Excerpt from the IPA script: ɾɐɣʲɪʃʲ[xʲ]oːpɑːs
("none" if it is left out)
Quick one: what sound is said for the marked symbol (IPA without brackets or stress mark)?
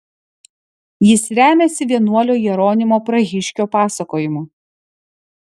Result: kʲ